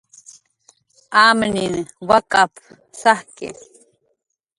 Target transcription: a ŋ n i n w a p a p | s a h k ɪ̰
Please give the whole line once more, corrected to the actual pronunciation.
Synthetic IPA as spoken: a m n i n w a k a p | s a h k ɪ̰